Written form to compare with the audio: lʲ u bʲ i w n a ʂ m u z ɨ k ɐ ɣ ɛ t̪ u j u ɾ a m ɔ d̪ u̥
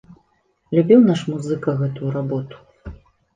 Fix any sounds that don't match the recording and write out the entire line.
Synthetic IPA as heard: lʲ u bʲ i w n a ʂ m u z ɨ k ɐ ɣ ɛ t̪ u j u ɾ a b ɔ t̪ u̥